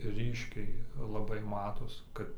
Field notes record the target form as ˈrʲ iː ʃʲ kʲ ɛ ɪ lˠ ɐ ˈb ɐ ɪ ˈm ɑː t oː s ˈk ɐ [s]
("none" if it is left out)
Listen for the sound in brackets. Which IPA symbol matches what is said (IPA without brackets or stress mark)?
t